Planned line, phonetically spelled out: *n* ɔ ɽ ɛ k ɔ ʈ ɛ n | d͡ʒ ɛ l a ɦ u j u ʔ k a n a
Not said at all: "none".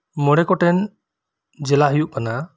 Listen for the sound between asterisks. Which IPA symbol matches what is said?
m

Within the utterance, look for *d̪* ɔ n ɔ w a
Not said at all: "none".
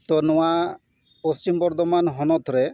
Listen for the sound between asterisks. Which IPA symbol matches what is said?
t̪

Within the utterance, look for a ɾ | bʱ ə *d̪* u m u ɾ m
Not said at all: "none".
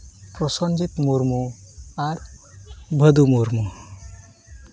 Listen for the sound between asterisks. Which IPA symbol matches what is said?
d̪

